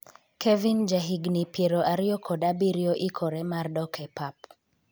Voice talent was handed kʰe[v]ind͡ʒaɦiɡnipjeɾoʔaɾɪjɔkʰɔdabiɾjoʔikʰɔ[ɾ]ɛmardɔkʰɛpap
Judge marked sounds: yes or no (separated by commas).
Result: yes, yes